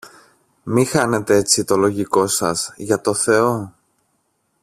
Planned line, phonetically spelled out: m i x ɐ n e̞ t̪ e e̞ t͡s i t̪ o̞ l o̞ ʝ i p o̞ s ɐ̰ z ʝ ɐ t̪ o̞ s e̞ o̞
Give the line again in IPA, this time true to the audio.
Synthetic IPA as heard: m i x ɐ n e̞ t̪ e e̞ t͡s i t̪ o̞ l o̞ ʝ i k o̞ s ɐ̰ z ʝ ɐ t̪ o̞ θ e̞ o̞